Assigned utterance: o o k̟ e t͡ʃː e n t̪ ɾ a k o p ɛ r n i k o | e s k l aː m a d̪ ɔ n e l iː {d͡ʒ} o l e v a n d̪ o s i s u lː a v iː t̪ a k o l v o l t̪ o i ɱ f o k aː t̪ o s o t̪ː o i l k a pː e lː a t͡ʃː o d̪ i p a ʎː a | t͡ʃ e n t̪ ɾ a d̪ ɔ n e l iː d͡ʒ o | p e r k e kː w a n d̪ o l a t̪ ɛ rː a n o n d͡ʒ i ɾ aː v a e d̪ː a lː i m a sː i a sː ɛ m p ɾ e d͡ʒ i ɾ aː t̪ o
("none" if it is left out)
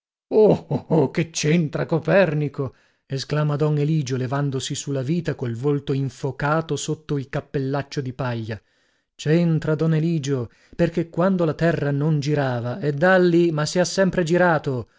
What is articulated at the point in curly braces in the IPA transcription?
d͡ʒ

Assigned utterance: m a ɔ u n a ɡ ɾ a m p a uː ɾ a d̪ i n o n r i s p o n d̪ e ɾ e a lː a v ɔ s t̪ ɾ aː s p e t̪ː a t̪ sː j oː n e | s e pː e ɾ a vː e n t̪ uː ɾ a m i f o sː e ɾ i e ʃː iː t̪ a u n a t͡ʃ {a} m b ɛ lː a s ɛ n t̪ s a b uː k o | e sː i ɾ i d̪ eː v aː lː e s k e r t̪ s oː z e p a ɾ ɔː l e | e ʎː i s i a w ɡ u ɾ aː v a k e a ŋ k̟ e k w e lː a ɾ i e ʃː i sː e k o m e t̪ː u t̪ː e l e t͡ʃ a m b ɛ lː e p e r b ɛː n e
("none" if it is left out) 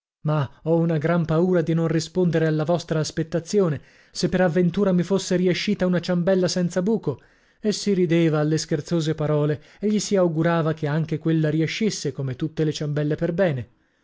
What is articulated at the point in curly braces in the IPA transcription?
a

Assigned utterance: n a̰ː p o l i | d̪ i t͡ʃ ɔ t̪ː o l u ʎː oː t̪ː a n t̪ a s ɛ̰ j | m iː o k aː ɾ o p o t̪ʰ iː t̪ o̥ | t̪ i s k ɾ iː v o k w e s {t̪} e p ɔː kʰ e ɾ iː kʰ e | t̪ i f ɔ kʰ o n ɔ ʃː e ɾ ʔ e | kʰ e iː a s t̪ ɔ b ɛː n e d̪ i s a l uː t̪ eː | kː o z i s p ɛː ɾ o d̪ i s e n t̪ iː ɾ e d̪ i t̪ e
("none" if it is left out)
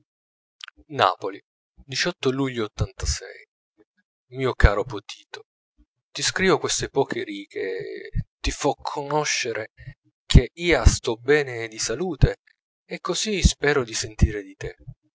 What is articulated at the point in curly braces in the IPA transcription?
t̪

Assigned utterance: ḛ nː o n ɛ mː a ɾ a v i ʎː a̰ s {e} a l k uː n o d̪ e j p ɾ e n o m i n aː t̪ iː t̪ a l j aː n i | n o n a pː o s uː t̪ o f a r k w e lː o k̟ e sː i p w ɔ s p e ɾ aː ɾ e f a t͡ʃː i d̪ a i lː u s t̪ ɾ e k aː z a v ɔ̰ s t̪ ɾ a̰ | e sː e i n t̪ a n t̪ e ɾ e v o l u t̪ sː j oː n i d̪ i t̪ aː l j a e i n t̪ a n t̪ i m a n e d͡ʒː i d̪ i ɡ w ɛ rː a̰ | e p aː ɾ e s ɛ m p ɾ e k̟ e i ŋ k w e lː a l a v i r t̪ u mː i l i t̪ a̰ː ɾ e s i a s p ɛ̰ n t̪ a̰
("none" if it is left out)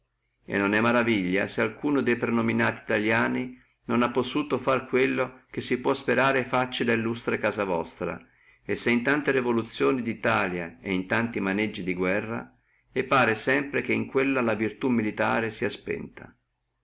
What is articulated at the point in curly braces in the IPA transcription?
e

